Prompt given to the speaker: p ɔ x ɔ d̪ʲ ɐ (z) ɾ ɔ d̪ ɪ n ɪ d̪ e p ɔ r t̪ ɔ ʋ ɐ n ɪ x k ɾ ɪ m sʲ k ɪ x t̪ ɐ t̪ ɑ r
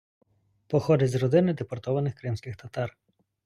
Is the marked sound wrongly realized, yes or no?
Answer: no